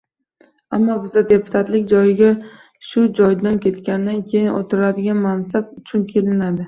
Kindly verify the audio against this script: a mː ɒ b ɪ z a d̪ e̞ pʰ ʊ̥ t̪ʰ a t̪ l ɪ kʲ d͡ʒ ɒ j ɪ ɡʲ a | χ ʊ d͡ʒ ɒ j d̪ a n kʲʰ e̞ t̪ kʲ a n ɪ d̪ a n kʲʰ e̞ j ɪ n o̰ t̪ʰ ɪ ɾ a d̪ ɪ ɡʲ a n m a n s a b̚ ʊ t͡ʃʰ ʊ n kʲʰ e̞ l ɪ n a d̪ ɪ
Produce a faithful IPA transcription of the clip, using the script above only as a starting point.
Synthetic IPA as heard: a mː ɒ b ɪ z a d̪ e̞ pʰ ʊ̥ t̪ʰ a t̪ l ɪ kʲ d͡ʒ ɒ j ɪ ɡʲ a | ʃ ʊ d͡ʒ ɒ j d̪ a n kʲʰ e̞ t̪ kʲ a n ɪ d̪ a n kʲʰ e̞ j ɪ n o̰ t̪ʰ ɪ ɾ a d̪ ɪ ɡʲ a n m a n s a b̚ ʊ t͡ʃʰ ʊ n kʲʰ e̞ l ɪ n a d̪ ɪ